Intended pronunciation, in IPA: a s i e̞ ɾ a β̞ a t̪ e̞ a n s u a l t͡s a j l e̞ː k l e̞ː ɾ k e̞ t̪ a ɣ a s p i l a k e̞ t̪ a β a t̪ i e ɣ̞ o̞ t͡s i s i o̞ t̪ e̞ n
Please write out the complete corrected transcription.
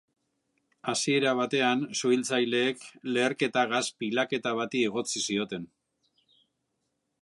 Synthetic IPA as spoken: a s i e̞ ɾ a β̞ a t̪ e̞ a n s u i l t͡s a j l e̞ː k l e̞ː ɾ k e̞ t̪ a ɣ a s p i l a k e̞ t̪ a β a t̪ i e ɣ̞ o̞ t͡s i s i o̞ t̪ e̞ n